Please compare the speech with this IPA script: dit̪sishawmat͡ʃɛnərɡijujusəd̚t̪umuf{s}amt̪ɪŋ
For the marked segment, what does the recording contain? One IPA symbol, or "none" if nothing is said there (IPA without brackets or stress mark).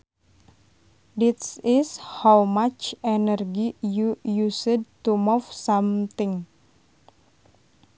s